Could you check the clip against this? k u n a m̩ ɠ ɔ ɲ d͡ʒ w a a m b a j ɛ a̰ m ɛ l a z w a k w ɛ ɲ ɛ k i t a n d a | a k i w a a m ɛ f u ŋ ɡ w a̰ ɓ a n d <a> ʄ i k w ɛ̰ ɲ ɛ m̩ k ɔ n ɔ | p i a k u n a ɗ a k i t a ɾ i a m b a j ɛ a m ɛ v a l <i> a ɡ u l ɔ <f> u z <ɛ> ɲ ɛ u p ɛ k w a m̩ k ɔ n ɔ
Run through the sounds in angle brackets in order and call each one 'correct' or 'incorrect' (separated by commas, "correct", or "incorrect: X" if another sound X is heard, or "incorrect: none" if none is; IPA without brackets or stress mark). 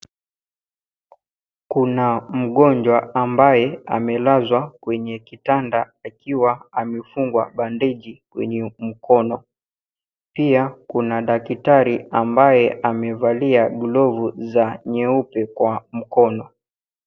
incorrect: ɛ, correct, incorrect: v, incorrect: a